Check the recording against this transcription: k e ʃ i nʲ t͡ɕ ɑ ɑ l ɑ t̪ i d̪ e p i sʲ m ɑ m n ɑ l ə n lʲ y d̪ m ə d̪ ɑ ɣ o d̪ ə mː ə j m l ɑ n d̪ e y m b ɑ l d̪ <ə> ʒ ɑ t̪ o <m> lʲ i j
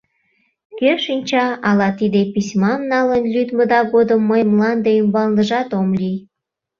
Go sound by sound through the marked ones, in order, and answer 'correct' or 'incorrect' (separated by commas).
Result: correct, correct